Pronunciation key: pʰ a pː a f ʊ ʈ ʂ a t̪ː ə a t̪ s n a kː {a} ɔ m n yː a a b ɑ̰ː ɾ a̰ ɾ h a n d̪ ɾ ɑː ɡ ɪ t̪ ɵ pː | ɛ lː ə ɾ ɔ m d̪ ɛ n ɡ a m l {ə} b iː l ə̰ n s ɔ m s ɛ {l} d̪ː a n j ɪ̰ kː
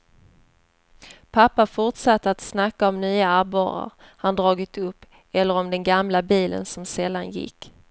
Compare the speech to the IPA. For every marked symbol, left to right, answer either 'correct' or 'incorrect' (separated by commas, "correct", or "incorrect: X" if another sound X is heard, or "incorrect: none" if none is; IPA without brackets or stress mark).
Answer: correct, incorrect: a, correct